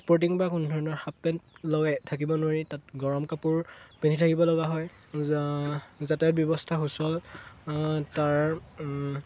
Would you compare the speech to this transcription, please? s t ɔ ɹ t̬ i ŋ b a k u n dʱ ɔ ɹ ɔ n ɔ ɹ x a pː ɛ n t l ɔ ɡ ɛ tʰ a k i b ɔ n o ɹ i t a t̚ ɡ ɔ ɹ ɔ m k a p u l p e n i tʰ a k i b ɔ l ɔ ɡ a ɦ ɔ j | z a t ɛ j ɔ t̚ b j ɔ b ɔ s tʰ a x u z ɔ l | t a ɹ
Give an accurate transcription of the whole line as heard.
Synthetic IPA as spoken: s p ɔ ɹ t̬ i ŋ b a k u n dʱ ɔ ɹ ɔ n ɔ ɹ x a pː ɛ n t l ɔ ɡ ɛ tʰ a k i b ɔ n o ɹ i t a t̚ ɡ ɔ ɹ ɔ m k a p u ɹ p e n i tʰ a k i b ɔ l ɔ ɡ a ɦ ɔ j | z a t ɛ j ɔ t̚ b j ɔ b ɔ s tʰ a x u s ɔ l | t a ɹ